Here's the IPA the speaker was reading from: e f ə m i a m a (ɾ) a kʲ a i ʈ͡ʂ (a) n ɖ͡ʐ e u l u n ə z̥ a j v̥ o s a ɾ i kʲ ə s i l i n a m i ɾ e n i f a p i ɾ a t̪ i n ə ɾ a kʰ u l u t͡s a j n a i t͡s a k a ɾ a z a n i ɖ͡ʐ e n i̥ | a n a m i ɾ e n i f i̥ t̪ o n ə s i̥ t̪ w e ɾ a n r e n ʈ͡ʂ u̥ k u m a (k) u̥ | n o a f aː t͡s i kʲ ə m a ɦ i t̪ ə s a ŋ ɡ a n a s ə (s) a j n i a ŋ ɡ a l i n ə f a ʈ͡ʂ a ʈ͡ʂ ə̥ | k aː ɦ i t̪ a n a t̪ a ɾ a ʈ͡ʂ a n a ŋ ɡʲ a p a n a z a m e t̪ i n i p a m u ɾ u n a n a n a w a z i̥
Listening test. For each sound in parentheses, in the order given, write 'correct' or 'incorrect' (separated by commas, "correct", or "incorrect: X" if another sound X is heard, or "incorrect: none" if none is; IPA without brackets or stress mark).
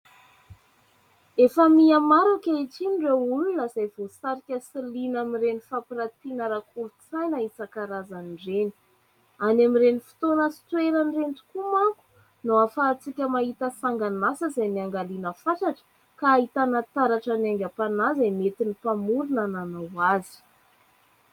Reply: correct, incorrect: i, correct, incorrect: z